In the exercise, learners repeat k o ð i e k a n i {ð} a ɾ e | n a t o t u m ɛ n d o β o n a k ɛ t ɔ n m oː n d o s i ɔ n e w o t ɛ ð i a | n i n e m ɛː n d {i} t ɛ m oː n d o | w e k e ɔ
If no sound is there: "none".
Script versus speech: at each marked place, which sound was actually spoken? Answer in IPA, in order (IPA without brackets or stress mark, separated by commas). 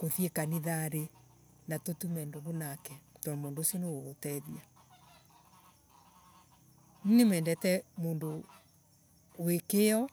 ð, ɛ